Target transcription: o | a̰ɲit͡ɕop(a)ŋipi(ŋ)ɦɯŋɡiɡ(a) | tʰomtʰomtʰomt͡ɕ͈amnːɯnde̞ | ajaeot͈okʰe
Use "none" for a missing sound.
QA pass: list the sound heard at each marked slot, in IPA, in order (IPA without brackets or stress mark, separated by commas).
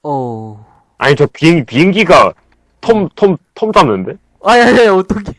i, none, a